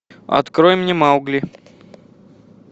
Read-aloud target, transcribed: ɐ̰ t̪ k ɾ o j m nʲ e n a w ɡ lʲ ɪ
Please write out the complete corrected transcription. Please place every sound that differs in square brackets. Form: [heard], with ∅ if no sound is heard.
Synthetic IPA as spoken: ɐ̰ t̪ k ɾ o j m nʲ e [m] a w ɡ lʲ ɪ